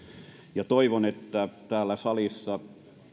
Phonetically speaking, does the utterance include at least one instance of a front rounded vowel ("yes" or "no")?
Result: no